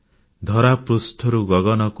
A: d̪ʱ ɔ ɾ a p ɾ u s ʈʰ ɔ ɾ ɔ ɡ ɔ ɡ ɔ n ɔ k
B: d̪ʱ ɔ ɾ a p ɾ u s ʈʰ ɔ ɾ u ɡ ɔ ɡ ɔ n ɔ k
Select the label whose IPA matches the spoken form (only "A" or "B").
B